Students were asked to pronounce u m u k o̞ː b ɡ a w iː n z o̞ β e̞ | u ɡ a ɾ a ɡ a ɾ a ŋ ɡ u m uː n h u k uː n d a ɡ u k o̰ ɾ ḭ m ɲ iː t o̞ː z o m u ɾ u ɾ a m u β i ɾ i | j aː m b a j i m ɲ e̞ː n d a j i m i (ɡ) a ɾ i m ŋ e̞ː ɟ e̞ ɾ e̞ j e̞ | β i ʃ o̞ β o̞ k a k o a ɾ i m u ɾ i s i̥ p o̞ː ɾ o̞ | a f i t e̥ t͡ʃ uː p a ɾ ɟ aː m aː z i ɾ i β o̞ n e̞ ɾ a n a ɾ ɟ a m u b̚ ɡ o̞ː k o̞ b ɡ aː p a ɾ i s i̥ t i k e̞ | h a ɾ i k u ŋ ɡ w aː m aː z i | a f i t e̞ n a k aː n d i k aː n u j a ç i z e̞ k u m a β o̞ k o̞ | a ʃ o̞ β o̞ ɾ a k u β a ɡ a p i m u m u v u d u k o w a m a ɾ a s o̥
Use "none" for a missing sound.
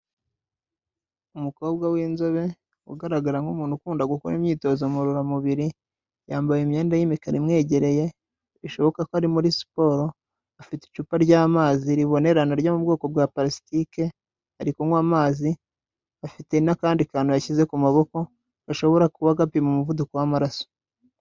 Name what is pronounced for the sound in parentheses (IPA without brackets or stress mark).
k